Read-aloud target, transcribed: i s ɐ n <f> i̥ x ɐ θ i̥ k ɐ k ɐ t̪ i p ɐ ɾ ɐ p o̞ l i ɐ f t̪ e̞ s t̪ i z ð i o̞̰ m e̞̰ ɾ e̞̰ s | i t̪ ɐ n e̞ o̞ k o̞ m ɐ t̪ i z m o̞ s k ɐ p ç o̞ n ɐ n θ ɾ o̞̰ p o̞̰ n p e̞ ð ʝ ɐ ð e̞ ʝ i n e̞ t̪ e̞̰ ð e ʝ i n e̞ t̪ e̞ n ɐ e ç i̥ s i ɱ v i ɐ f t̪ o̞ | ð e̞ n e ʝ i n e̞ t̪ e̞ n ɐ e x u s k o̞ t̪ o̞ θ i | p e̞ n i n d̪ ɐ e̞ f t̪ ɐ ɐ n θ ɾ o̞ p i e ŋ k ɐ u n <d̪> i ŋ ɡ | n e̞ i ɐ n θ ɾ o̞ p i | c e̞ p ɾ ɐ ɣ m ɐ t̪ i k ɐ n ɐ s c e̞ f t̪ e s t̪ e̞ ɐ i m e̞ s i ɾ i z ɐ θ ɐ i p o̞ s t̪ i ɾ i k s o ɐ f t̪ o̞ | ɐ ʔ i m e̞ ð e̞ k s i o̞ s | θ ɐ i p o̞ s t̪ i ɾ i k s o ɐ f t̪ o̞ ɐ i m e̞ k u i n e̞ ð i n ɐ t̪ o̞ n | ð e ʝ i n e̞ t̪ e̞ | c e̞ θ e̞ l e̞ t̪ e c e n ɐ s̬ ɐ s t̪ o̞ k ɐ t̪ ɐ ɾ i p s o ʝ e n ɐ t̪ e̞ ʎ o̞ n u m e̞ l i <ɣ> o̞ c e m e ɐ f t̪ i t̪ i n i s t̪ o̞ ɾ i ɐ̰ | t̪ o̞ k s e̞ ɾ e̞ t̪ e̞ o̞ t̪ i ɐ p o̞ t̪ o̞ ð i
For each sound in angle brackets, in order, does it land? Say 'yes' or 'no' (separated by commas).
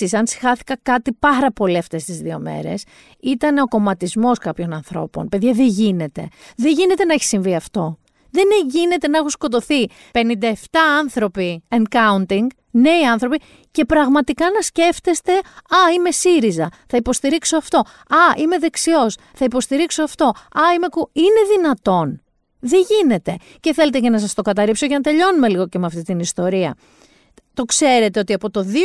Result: no, no, yes